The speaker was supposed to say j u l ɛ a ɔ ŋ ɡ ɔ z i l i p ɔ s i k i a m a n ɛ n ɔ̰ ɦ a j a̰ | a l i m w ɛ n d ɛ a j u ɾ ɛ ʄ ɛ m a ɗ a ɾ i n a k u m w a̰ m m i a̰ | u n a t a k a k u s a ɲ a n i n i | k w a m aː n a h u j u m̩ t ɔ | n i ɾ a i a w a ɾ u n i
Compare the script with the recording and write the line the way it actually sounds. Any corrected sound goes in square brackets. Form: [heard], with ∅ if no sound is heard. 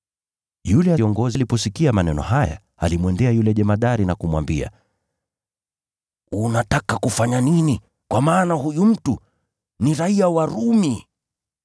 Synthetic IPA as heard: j u l ɛ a ɔ ŋ ɡ ɔ z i l i p ɔ s i k i a m a n ɛ n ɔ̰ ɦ a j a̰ | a l i m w ɛ n d ɛ a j u [l] ɛ ʄ ɛ m a ɗ a ɾ i n a k u m w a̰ m [b] i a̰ | u n a t a k a k u [f] a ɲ a n i n i | k w a m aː n a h u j u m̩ t [u] | n i ɾ a i a w a ɾ u [m] i